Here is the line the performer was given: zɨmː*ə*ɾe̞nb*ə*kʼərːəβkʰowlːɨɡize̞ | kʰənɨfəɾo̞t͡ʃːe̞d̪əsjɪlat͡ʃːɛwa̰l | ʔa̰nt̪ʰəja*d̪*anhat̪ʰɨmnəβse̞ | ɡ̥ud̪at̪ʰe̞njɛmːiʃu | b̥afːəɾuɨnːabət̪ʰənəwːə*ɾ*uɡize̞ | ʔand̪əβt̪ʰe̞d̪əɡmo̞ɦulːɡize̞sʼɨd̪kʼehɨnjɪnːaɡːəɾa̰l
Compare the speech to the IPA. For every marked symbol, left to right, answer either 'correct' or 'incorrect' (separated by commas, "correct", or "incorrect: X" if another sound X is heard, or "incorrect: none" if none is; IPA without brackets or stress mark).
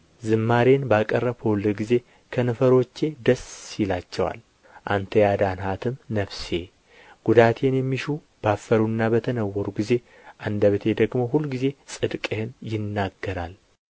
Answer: incorrect: a, incorrect: a, correct, correct